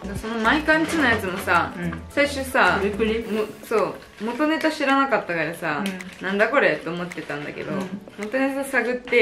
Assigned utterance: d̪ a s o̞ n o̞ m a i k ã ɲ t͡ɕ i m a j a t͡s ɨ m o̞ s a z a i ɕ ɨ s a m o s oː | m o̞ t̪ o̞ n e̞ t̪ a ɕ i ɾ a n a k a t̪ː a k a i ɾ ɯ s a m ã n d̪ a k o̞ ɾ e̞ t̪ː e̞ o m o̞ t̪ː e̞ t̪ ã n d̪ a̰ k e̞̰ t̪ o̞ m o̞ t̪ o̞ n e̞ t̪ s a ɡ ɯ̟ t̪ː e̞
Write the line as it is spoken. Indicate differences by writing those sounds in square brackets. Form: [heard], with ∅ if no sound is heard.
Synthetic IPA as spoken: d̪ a s o̞ n o̞ m a i k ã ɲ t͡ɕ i [n] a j a t͡s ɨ m o̞ s a [s] a i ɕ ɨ s a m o s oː | m o̞ t̪ o̞ n e̞ t̪ a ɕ i ɾ a n a k a t̪ː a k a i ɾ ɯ s a [n] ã n d̪ a k o̞ ɾ e̞ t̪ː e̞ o m o̞ t̪ː e̞ t̪ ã n d̪ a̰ k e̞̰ [d̪] o̞ m o̞ t̪ o̞ n e̞ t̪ s a ɡ ɯ̟ t̪ː e̞

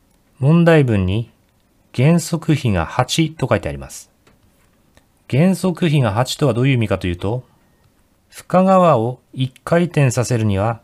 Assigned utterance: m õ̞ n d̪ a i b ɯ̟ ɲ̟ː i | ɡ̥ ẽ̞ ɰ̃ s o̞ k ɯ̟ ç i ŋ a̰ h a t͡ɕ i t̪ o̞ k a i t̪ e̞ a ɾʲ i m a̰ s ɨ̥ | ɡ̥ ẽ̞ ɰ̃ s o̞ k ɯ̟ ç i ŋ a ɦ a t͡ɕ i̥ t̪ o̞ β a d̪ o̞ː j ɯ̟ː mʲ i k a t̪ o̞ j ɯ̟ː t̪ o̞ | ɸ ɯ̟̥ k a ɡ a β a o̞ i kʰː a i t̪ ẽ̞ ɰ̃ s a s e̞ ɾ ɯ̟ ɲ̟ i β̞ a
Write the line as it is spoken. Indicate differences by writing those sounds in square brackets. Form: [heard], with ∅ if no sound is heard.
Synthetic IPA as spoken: m õ̞ n d̪ a i b [ɯ̟̃] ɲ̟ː i | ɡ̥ ẽ̞ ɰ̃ s o̞ k ɯ̟ ç i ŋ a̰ h a t͡ɕ i t̪ o̞ k a i t̪ e̞ a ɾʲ i m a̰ s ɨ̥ | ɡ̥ ẽ̞ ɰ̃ s o̞ k ɯ̟ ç i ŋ a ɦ a t͡ɕ i̥ t̪ o̞ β a d̪ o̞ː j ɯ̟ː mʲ i k a t̪ o̞ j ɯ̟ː t̪ o̞ | ɸ ɯ̟̥ k a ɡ a β a o̞ i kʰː a i t̪ ẽ̞ ɰ̃ s a s e̞ ɾ ɯ̟ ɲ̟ i β̞ a

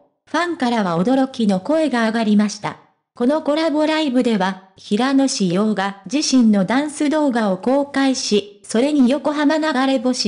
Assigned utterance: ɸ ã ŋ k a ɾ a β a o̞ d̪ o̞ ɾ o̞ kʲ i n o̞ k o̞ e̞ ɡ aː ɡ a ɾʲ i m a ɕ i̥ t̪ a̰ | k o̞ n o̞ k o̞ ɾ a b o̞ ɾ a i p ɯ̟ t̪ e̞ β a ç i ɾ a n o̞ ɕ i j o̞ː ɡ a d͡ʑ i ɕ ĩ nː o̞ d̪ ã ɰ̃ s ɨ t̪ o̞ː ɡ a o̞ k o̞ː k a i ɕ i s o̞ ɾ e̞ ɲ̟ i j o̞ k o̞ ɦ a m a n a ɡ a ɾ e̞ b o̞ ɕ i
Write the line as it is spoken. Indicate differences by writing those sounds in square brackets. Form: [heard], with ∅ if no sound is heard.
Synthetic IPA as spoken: ɸ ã ŋ k a ɾ a β a o̞ d̪ o̞ ɾ o̞ kʲ i n o̞ k o̞ e̞ ɡ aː ɡ a ɾʲ i m a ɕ i̥ t̪ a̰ | k o̞ n o̞ k o̞ ɾ a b o̞ ɾ a i [b] ɯ̟ [d̪] e̞ β a ç i ɾ a n o̞ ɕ i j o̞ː ɡ a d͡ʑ i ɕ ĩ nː o̞ d̪ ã ɰ̃ s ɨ [d̪] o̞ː ɡ a o̞ k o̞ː k a i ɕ i s o̞ ɾ e̞ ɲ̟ i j o̞ k o̞ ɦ a m a n a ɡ a ɾ e̞ b o̞ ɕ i

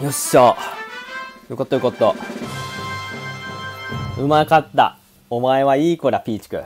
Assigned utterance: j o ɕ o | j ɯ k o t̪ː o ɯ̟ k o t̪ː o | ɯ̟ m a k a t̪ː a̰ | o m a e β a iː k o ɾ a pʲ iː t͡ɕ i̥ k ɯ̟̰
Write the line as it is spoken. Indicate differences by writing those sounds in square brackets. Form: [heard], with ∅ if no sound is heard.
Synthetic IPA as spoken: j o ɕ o | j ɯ k o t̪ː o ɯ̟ k o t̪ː o | ɯ̟ m a k a t̪ː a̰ | o m a e β a iː k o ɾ a pʲ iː t͡ɕ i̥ k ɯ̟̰

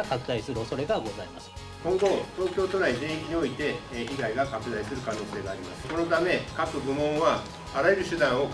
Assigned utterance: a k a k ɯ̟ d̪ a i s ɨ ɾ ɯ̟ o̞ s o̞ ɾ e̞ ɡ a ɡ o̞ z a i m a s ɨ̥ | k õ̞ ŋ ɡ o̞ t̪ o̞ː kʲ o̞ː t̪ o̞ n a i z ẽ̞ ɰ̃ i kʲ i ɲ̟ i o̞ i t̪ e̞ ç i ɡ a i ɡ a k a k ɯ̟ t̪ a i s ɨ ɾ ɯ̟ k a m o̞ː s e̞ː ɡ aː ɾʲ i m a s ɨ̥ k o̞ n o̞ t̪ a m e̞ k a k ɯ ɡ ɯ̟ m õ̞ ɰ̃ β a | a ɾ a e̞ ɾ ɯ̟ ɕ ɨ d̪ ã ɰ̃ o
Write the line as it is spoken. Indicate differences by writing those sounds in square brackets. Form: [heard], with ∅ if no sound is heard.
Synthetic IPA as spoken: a k a k ɯ̟ d̪ a i s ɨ ɾ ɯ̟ o̞ s o̞ ɾ e̞ ɡ a ɡ o̞ z a i m a s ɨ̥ | k õ̞ ŋ ɡ o̞ t̪ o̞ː kʲ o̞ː t̪ o̞ n a i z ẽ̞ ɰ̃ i kʲ i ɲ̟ i o̞ i t̪ e̞ ç i ɡ a i ɡ a k a k ɯ̟ [d̪] a i s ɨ ɾ ɯ̟ k a [n] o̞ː s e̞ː ɡ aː ɾʲ i m a s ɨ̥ k o̞ n o̞ t̪ a m e̞ k a k ɯ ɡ ɯ̟ m õ̞ ɰ̃ β a | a ɾ a e̞ ɾ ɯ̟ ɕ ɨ d̪ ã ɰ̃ o

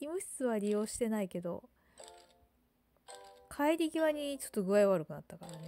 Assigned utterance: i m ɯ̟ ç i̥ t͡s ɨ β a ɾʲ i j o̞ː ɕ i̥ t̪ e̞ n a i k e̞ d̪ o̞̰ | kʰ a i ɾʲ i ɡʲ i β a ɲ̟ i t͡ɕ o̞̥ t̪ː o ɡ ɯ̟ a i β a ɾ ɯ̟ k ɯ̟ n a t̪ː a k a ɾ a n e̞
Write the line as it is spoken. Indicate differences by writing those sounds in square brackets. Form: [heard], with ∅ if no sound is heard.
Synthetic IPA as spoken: i m ɯ̟ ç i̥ t͡s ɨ β a ɾʲ i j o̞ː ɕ i̥ t̪ e̞ n a i k e̞ d̪ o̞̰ | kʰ a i ɾʲ i ɡʲ i β a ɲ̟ i t͡ɕ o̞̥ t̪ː o ɡ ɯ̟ a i β a ɾ ɯ̟ k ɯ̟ n a t̪ː a k a ɾ a n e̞

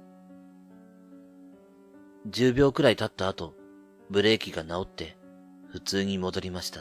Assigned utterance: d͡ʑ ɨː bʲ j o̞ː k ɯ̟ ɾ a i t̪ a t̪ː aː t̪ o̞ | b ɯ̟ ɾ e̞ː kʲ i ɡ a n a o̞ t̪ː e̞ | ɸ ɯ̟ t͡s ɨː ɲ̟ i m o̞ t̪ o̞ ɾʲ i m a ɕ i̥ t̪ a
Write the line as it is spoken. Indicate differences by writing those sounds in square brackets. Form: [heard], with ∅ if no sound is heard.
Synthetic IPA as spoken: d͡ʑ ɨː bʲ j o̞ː k ɯ̟ ɾ a i t̪ a t̪ː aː t̪ o̞ | b ɯ̟ ɾ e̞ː kʲ i ɡ a n a o̞ t̪ː e̞ | ɸ ɯ̟ t͡s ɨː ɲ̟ i m o̞ [d̪] o̞ ɾʲ i m a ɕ i̥ t̪ a

